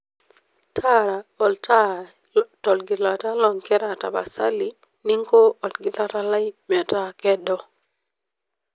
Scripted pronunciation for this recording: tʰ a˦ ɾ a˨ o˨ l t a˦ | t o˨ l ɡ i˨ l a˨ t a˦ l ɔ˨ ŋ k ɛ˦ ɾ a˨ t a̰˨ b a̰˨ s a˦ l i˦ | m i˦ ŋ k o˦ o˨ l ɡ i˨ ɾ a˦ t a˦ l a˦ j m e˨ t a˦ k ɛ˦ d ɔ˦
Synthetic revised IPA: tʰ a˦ ɾ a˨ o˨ l t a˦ | t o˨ l ɡ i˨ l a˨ t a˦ l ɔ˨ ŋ k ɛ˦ ɾ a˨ t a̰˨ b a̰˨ s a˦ l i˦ | n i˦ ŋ k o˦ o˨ l ɡ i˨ l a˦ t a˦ l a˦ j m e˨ t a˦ k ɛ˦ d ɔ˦